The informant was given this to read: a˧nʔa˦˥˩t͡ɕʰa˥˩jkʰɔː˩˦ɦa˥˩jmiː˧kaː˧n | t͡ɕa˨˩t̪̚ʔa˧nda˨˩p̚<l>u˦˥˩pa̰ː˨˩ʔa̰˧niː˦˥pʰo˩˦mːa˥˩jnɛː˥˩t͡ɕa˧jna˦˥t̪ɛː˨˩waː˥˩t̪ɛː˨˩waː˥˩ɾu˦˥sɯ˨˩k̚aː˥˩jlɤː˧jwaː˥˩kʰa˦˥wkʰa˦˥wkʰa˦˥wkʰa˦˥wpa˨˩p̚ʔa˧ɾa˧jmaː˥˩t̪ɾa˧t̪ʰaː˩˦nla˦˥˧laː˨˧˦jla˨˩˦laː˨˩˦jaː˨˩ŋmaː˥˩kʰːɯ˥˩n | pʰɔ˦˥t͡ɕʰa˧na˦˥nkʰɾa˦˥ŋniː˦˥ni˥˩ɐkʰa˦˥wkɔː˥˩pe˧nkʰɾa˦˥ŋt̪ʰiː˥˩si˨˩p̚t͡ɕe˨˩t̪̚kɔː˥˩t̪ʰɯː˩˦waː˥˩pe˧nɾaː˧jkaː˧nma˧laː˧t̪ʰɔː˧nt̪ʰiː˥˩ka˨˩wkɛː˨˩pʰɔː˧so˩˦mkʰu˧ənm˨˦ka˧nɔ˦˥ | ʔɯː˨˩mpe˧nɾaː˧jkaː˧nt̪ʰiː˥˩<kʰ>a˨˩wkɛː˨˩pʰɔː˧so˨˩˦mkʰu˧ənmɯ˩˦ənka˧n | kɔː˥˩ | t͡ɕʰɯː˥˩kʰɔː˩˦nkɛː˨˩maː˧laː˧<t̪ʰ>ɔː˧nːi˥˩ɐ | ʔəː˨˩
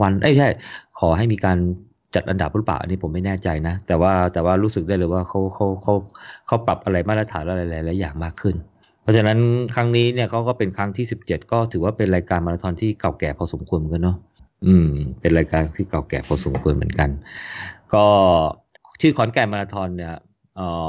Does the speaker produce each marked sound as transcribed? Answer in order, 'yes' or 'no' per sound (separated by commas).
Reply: no, no, yes